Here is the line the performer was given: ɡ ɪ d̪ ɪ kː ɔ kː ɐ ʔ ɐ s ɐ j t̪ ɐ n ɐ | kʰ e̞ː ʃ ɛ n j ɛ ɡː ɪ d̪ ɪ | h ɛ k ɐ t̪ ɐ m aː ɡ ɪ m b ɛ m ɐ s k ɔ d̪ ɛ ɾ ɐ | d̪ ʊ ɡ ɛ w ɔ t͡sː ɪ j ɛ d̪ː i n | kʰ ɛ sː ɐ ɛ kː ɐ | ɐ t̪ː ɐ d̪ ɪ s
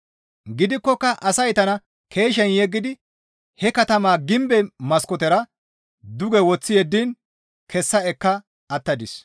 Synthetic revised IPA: ɡ ɪ d̪ ɪ kː ɔ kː ɐ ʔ ɐ s ɐ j t̪ ɐ n ɐ | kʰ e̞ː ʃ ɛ n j ɛ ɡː ɪ d̪ ɪ | h ɛ k ɐ t̪ ɐ m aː ɡ ɪ m b ɛ m ɐ s k ɔ t̪ ɛ ɾ ɐ | d̪ ʊ ɡ ɛ w ɔ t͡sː ɪ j ɛ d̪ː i n | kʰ ɛ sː ɐ ɛ kː ɐ | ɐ t̪ː ɐ d̪ ɪ s